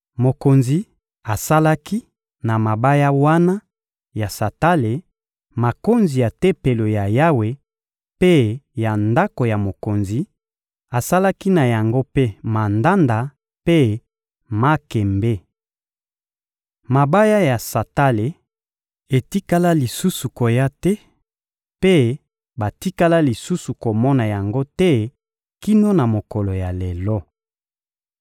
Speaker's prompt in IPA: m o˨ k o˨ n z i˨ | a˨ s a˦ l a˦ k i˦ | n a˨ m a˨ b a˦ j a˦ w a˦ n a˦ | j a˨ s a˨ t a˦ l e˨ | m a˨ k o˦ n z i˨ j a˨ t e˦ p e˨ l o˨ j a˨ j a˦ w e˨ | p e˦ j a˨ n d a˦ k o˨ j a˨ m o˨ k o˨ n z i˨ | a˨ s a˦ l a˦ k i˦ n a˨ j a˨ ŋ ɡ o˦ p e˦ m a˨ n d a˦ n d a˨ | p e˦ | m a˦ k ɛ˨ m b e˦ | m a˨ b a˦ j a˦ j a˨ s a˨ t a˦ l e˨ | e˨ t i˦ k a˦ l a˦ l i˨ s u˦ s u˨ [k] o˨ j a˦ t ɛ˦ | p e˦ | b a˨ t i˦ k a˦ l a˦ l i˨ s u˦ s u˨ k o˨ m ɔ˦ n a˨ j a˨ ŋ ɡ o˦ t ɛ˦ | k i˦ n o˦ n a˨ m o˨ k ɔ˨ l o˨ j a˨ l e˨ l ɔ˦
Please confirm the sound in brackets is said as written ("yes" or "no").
yes